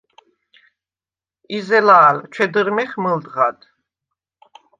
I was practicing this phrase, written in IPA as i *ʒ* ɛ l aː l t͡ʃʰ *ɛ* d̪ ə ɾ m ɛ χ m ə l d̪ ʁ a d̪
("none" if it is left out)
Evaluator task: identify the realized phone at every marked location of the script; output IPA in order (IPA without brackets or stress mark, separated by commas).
z, ɛ